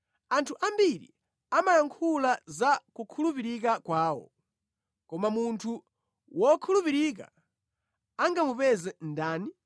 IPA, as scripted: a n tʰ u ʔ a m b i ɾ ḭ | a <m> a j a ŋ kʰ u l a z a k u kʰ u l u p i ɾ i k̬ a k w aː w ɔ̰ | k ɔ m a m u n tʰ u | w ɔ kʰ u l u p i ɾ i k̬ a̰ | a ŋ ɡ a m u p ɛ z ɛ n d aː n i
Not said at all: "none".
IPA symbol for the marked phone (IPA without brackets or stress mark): m